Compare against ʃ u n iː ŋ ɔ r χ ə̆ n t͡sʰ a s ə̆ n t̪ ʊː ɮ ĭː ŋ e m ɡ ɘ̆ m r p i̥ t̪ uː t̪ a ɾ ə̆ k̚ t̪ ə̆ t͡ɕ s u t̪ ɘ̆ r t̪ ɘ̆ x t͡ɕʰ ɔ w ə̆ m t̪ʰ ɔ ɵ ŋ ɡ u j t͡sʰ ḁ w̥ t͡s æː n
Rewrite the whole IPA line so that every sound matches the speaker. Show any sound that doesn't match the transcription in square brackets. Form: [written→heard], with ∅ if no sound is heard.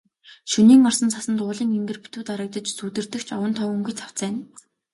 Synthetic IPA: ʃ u n iː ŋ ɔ r [χ→s] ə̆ n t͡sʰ a s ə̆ n t̪ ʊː ɮ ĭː ŋ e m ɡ ɘ̆ [m→∅] r p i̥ t̪ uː t̪ a ɾ ə̆ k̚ t̪ ə̆ t͡ɕ s u t̪ ɘ̆ r t̪ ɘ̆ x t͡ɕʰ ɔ w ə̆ [m→n] t̪ʰ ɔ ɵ ŋ ɡ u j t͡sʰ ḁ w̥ t͡s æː n

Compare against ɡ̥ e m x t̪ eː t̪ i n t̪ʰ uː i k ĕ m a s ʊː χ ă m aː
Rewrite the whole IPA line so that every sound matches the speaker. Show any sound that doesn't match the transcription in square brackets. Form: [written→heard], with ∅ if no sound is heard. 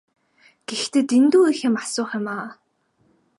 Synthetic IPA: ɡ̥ e [m→∅] x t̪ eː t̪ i n [t̪ʰ→t̪] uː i [k→x] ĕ m a s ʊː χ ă m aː

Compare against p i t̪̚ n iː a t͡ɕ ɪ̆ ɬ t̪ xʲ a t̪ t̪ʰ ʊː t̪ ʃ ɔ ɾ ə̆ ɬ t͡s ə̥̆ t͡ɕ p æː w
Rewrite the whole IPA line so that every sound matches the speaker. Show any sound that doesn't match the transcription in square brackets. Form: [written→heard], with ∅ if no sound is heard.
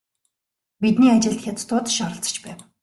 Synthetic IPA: p i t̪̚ n iː a t͡ɕ ɪ̆ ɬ t̪ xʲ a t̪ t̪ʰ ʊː t̪ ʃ ɔ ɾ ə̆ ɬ t͡s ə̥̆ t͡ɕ p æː w

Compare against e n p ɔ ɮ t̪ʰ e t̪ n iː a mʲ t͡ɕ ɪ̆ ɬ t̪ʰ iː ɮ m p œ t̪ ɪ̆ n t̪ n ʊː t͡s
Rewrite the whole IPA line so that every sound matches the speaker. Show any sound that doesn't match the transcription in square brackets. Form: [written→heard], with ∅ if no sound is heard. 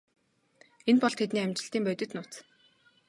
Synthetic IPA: e n p ɔ ɮ t̪ʰ e t̪ n iː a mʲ t͡ɕ ɪ̆ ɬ [t̪ʰ→t̪] iː [ɮ→∅] m p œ t̪ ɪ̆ [n→∅] t̪ n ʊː t͡s

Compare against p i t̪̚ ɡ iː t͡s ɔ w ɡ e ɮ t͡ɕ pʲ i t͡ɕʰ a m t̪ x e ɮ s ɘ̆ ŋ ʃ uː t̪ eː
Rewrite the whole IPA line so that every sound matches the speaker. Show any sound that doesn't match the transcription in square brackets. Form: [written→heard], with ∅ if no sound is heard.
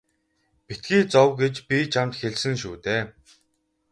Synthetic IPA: p i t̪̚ ɡ iː t͡s ɔ w ɡ e [ɮ→∅] t͡ɕ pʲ i t͡ɕʰ a m t̪ x e ɮ s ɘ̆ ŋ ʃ uː t̪ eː

